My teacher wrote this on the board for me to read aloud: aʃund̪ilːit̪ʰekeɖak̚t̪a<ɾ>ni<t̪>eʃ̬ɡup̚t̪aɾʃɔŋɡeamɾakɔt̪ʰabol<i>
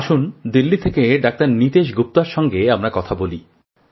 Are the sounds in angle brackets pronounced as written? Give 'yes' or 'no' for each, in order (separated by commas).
yes, yes, yes